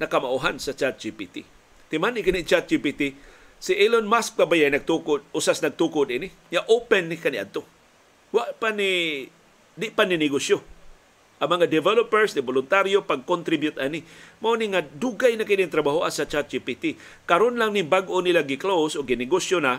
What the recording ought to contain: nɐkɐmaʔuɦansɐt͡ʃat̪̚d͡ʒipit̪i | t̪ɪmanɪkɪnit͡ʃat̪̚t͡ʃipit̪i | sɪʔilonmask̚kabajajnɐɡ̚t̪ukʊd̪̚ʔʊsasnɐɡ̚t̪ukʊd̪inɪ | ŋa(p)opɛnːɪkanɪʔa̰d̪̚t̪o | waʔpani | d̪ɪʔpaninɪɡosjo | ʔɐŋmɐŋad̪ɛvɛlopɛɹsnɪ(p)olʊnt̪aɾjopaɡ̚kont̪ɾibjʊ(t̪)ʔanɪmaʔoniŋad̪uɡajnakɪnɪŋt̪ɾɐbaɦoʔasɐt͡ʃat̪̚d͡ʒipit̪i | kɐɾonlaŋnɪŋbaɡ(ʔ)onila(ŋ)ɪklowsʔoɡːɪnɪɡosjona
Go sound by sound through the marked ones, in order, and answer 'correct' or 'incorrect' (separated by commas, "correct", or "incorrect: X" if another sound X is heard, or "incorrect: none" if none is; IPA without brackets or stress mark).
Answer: incorrect: ʔ, incorrect: b, correct, correct, incorrect: ɡ